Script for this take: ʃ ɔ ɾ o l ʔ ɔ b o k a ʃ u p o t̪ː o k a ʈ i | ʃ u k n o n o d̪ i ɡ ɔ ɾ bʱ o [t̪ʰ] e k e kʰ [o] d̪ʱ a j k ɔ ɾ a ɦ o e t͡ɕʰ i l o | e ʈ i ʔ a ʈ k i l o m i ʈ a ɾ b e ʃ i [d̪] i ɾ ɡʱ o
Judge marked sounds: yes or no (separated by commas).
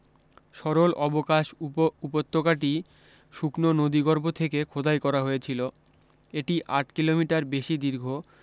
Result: yes, yes, yes